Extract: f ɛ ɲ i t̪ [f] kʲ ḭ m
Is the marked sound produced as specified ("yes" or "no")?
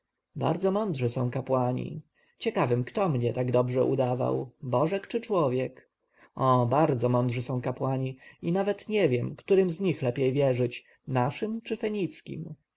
no